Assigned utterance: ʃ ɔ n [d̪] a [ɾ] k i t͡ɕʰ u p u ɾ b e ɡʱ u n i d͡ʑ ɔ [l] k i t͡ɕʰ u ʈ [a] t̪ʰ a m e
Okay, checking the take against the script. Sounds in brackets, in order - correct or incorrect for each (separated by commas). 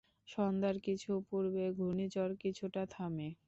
correct, correct, incorrect, correct